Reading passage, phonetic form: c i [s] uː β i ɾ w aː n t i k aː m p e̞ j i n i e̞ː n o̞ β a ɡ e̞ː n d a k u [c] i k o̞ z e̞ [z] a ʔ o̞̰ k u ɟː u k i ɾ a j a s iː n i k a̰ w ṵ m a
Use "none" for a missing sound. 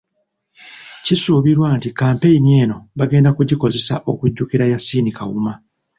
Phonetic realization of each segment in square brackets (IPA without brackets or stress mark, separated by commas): s, ɟ, s